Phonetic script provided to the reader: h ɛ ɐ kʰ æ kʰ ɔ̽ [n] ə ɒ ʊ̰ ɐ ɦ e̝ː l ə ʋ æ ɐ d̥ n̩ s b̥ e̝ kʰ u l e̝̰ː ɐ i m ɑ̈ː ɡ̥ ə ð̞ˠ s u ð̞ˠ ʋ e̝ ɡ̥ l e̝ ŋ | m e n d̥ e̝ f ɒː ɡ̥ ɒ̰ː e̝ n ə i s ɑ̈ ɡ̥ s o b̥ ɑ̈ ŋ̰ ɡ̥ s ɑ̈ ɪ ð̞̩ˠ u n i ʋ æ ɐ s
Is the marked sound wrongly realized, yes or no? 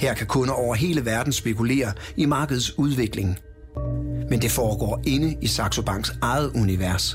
no